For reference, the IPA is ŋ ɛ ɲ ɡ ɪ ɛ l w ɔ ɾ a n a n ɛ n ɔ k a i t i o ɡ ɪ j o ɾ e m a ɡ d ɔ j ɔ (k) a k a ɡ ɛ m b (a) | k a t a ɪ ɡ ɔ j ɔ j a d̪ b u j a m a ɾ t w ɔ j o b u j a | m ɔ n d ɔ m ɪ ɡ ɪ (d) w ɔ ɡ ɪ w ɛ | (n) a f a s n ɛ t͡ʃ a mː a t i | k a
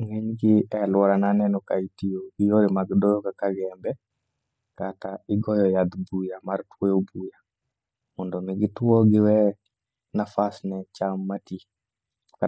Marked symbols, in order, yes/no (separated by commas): yes, no, no, yes